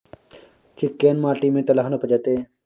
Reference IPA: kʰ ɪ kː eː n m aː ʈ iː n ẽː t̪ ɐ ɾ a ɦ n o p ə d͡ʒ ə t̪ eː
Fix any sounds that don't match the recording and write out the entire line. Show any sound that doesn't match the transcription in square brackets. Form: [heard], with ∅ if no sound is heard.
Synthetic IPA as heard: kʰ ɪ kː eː n m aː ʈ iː [m] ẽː t̪ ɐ [l] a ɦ n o p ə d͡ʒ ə t̪ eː